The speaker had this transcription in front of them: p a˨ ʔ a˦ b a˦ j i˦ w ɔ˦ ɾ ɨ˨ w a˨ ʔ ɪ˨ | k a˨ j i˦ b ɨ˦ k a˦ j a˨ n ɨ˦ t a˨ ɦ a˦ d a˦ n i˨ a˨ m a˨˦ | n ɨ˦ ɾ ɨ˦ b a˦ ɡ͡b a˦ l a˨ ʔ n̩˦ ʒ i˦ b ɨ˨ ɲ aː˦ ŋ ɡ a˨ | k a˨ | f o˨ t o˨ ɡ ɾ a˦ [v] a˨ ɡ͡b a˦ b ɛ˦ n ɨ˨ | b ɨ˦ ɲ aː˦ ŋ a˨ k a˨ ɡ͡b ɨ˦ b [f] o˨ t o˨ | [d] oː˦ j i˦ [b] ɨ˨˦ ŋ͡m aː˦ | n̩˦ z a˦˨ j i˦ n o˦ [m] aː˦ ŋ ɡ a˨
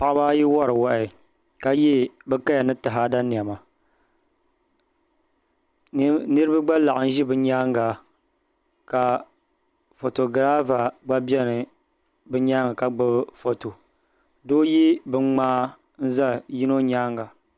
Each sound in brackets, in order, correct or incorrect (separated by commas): correct, correct, correct, correct, incorrect